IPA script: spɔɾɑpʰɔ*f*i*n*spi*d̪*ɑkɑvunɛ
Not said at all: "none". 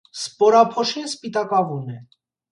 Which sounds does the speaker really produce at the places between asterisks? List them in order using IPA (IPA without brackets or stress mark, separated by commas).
ʃ, n, t̪